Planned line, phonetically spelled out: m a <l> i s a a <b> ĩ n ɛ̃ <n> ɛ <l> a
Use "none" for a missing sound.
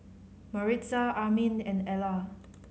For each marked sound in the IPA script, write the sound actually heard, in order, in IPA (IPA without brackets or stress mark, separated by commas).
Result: ɹ, m, n, l